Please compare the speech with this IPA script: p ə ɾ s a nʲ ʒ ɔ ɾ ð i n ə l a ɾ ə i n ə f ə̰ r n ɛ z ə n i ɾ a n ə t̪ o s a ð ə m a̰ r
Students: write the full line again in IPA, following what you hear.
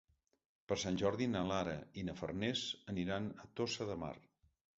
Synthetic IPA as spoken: p ə ɾ s a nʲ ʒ ɔ ɾ ð i n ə l a ɾ ə i n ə f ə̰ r n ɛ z ə n i ɾ a n ə t̪ o s ə ð ə m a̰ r